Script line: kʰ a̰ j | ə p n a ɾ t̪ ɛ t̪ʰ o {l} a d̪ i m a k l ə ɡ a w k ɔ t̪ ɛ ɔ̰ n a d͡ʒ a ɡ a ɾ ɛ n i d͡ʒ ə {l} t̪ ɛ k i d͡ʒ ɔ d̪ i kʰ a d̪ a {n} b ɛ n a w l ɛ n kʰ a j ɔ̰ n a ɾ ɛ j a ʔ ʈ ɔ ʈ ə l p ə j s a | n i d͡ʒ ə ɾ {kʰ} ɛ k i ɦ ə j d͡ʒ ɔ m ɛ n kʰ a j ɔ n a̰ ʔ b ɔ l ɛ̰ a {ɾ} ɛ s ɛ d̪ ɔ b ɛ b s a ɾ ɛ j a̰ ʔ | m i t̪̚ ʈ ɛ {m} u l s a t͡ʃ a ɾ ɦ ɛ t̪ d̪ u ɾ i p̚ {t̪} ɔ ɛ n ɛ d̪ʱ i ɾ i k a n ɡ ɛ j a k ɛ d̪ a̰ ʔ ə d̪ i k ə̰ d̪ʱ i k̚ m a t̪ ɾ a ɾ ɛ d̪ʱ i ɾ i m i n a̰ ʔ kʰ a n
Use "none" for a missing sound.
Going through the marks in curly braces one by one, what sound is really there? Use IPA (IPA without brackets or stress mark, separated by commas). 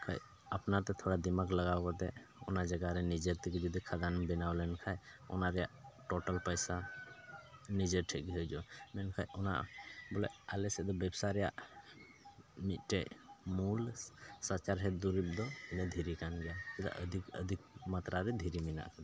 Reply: ɽ, ɾ, n, ʈʰ, l, m, d̪